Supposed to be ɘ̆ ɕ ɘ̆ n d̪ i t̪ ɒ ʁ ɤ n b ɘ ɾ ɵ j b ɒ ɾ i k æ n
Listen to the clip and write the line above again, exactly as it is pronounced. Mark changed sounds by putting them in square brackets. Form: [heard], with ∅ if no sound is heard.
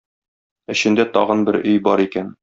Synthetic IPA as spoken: ɘ̆ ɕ ɘ̆ n d̪ [æ] t̪ ɒ ʁ ɤ n b ɘ ɾ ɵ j b ɒ ɾ i k æ n

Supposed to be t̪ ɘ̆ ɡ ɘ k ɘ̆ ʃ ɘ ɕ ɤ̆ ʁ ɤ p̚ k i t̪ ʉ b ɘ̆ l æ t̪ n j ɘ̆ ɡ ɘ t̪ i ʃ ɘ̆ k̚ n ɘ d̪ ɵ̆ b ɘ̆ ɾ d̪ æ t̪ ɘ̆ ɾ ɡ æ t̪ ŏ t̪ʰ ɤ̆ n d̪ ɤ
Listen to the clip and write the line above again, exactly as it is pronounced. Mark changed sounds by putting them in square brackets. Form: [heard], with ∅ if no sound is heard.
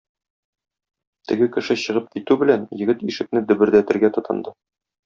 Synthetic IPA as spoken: t̪ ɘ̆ ɡ ɘ k ɘ̆ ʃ ɘ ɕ ɤ̆ ʁ ɤ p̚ k i t̪ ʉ b ɘ̆ l æ [∅] n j ɘ̆ ɡ ɘ t̪ i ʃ ɘ̆ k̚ n ɘ d̪ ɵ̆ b ɘ̆ ɾ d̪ æ t̪ ɘ̆ ɾ ɡ æ t̪ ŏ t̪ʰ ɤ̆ n d̪ ɤ

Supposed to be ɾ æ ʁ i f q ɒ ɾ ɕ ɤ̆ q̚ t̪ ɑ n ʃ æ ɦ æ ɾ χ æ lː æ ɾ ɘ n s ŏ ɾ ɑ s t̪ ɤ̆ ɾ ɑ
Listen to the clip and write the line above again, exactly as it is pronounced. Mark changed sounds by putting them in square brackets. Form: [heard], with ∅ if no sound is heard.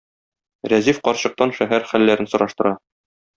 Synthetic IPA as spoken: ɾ æ [z] i f q ɒ ɾ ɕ ɤ̆ q̚ t̪ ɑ n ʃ æ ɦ æ ɾ χ æ lː æ ɾ ɘ n s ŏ ɾ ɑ [ʃ] t̪ ɤ̆ ɾ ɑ

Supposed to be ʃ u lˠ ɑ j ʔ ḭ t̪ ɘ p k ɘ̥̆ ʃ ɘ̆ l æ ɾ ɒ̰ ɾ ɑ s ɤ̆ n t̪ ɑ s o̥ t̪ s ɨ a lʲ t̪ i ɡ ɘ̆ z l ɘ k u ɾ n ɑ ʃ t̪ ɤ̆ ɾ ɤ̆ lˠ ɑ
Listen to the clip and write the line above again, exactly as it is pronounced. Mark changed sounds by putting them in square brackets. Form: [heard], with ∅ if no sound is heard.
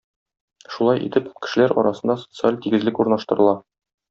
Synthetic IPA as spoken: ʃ u lˠ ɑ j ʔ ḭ t̪ ɘ p k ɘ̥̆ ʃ ɘ̆ l æ ɾ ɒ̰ ɾ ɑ s ɤ̆ n [d̪] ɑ s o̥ t̪ s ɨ a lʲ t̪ i ɡ ɘ̆ z l ɘ k u ɾ n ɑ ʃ t̪ ɤ̆ ɾ ɤ̆ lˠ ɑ

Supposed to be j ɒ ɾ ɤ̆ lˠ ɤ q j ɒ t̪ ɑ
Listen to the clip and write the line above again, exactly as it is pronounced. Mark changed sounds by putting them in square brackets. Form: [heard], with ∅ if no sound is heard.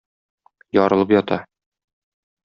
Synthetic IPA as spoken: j ɒ ɾ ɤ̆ lˠ ɤ [p] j ɒ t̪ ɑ

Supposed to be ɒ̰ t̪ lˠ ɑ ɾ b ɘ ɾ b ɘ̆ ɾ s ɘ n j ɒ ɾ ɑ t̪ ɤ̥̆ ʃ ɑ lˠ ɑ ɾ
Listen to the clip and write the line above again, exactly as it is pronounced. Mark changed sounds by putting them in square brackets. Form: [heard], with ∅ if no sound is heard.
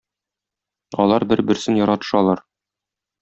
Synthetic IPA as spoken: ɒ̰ [∅] lˠ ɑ ɾ b ɘ ɾ b ɘ̆ ɾ s ɘ n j ɒ ɾ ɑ t̪ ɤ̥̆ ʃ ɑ lˠ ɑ ɾ

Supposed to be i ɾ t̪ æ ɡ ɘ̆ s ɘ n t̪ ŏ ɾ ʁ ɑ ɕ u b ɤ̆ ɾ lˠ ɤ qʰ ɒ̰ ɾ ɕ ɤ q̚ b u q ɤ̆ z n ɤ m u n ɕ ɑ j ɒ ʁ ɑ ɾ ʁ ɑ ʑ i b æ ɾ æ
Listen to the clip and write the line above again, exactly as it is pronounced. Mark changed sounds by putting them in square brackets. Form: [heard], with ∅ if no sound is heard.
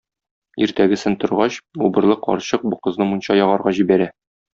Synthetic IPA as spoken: i ɾ t̪ æ ɡ ɘ̆ s ɘ n t̪ ŏ ɾ ʁ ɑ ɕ u b ɤ̆ ɾ lˠ ɤ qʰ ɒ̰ ɾ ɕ ɤ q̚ b u q ɤ̆ z n ɤ m u n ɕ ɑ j ɒ ʁ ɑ ɾ ʁ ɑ ʑ i b æ ɾ æ

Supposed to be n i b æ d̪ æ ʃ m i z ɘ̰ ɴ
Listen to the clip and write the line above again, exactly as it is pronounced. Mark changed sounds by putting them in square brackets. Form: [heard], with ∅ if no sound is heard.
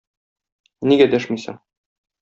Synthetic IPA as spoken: n i [ɡ] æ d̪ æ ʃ m i [s] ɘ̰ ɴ

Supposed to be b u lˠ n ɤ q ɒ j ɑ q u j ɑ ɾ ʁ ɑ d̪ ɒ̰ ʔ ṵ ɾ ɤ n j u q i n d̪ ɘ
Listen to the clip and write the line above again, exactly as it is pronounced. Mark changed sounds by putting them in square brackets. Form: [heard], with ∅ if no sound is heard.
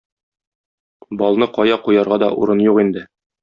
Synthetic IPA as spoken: b [ɒ] lˠ n ɤ q ɒ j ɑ q u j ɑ ɾ ʁ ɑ d̪ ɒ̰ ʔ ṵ ɾ ɤ n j u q i n d̪ ɘ

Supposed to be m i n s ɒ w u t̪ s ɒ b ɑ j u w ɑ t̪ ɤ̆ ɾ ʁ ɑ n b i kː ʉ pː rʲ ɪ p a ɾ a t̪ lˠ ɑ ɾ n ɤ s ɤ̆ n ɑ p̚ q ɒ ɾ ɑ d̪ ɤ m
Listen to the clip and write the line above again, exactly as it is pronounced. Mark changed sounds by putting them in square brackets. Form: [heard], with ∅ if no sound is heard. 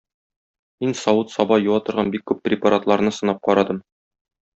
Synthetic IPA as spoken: m i n s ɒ w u t̪ s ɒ b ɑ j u w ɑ t̪ ɤ̆ ɾ ʁ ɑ n b i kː ʉ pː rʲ ɪ p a ɾ a t̪ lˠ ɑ ɾ n ɤ s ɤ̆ n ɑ p̚ q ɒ ɾ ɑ d̪ ɤ m

